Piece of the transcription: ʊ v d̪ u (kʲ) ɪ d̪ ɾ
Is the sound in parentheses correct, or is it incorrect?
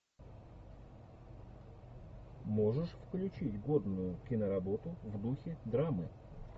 incorrect: xʲ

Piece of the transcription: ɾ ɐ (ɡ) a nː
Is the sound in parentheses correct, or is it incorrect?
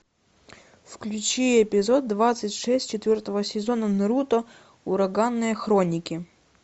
correct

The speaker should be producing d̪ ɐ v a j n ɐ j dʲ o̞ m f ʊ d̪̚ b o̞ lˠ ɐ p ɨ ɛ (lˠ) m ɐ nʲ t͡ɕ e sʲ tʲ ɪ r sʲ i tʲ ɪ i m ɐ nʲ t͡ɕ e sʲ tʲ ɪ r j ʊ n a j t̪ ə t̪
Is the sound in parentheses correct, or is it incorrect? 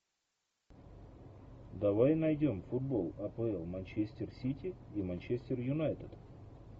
correct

